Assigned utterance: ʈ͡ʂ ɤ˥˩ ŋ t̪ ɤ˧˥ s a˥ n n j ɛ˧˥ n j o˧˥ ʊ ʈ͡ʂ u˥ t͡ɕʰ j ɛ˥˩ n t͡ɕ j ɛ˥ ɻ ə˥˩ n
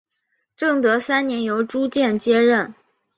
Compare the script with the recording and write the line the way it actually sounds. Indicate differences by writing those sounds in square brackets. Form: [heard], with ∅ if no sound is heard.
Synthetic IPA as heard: ʈ͡ʂ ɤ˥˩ ŋ t̪ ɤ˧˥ s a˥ n n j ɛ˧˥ n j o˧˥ ʊ ʈ͡ʂ u˥ [t͡ɕ] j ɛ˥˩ n t͡ɕ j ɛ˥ ɻ ə˥˩ n